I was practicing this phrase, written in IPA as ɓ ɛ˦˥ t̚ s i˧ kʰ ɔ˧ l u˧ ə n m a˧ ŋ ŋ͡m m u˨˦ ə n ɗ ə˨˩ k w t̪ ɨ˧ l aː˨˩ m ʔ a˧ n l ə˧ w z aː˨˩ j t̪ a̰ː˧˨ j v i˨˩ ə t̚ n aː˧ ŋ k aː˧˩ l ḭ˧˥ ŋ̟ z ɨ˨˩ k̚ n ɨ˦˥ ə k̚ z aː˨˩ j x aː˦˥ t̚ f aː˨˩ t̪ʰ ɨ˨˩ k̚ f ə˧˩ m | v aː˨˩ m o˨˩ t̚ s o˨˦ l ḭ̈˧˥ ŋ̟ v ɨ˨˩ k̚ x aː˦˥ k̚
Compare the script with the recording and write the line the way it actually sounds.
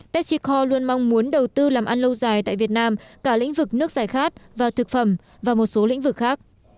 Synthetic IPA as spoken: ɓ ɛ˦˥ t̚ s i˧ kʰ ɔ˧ l u˧ ə n m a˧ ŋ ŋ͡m m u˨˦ ə n ɗ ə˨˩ w t̪ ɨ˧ l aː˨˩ m ʔ a˧ n l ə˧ w z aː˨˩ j t̪ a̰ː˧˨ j v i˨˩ ə t̚ n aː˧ m k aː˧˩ l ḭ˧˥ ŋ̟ v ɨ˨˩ k̚ n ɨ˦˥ ə k̚ z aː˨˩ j x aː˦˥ t̚ v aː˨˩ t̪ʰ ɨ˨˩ k̚ f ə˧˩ m | v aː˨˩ m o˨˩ t̚ s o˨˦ l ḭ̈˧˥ ŋ̟ v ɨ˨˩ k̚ x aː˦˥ k̚